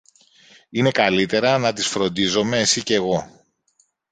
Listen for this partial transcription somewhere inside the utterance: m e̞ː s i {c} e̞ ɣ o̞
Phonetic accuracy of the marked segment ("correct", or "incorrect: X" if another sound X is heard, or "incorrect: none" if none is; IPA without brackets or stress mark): correct